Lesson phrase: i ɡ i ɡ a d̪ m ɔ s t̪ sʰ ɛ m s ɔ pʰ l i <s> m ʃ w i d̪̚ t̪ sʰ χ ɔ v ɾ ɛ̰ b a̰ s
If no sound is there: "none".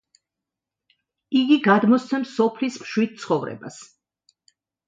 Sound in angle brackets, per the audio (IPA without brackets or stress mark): s